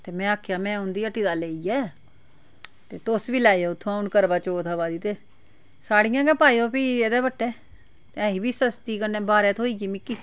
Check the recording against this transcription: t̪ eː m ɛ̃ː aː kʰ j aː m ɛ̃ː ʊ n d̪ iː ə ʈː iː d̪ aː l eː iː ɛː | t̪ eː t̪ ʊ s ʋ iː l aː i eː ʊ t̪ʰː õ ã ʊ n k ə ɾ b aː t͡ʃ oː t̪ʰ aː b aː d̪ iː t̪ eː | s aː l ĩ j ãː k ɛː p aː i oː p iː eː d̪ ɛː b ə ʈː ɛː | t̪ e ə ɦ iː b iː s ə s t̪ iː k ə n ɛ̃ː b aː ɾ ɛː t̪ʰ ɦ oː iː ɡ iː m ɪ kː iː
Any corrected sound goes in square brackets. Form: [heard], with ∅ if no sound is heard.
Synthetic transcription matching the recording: t̪ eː m ɛ̃ː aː kʰ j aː m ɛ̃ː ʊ n d̪ iː ə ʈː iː d̪ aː l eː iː ɛː | t̪ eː t̪ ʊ s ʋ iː l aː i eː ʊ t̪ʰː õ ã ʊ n k ə ɾ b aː t͡ʃ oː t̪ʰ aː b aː d̪ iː t̪ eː | s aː [ɽ] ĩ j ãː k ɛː p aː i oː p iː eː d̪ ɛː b ə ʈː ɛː | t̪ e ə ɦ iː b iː s ə s t̪ iː k ə n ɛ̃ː b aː ɾ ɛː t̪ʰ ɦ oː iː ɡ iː m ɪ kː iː

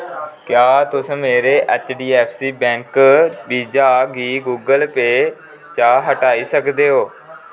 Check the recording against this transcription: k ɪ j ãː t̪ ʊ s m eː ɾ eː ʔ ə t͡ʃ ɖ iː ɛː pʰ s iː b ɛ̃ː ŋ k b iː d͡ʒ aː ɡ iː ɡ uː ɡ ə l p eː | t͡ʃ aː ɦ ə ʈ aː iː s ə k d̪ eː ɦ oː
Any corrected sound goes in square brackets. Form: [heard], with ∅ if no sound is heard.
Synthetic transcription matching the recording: k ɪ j [aː] t̪ ʊ s m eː ɾ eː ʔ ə t͡ʃ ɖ iː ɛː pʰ s iː b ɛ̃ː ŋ k b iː d͡ʒ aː ɡ iː ɡ uː ɡ ə l p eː | t͡ʃ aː ɦ ə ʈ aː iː s ə k d̪ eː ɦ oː

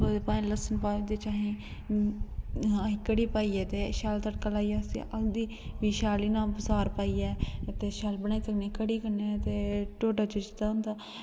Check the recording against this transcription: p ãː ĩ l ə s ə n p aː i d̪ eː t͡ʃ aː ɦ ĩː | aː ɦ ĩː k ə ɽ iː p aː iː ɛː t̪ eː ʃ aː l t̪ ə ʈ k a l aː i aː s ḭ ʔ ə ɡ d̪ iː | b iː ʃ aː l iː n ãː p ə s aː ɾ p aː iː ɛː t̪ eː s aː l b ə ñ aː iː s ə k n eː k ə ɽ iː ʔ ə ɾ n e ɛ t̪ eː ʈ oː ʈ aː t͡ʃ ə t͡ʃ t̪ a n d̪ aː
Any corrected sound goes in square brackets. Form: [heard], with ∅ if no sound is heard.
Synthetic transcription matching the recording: p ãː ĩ l ə s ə n p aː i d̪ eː t͡ʃ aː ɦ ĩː | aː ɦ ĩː k ə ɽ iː p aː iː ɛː t̪ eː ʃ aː l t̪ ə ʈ k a l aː i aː s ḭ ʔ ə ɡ d̪ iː | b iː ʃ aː l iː n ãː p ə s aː ɾ p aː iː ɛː t̪ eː [ʃ] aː l b ə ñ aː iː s ə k n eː k ə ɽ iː [k] ə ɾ n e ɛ t̪ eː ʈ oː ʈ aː t͡ʃ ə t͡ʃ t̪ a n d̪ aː

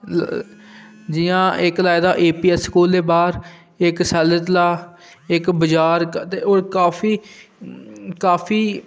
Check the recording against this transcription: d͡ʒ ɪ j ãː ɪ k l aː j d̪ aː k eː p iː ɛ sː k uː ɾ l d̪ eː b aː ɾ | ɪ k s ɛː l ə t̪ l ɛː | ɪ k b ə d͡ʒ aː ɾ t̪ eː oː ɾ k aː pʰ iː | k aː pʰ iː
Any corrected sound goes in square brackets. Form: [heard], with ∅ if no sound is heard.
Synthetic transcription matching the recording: d͡ʒ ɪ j ãː ɪ k l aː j d̪ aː [ʔ] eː p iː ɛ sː k uː [∅] l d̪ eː b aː ɾ | ɪ k s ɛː l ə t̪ l [aː] | ɪ k b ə d͡ʒ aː ɾ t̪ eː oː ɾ k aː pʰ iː | k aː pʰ iː

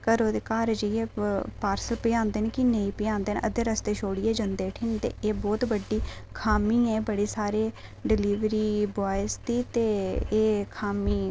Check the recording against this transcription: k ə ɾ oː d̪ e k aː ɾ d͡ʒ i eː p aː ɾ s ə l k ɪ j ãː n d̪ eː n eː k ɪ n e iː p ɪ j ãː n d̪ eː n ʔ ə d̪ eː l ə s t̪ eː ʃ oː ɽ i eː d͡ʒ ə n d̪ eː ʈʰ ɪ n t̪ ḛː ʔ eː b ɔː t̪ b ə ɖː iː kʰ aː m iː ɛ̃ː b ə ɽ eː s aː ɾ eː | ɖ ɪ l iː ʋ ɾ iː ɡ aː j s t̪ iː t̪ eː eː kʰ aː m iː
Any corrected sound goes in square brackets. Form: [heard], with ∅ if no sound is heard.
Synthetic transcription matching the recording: k ə ɾ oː d̪ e k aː ɾ d͡ʒ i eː p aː ɾ s ə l [p] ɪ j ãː n d̪ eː n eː k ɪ n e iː p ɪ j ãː n d̪ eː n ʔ ə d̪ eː [ɾ] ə s t̪ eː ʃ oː ɽ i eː d͡ʒ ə n d̪ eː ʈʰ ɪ n t̪ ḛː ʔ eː b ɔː t̪ b ə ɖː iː kʰ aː m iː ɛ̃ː b ə ɽ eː s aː ɾ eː | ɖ ɪ l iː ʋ ɾ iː [b] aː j s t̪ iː t̪ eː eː kʰ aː m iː

